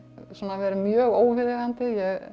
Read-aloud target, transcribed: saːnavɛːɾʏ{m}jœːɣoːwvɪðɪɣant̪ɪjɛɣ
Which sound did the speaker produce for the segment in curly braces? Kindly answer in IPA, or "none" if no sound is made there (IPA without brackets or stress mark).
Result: m